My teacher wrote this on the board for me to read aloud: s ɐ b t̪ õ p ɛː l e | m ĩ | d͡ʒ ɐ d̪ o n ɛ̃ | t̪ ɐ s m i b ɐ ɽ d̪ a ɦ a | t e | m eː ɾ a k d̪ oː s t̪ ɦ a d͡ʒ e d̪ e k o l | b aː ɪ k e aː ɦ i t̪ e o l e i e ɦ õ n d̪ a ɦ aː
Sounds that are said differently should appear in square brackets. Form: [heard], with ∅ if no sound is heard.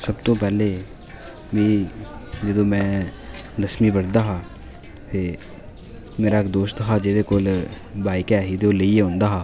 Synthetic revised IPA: s ɐ b t̪ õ p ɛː l e | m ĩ | d͡ʒ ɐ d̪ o [m] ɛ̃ | [d̪] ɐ s m i b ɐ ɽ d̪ a ɦ a | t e | m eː ɾ a k d̪ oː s t̪ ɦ a d͡ʒ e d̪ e k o l | b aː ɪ k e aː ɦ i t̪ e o l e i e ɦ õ n d̪ a ɦ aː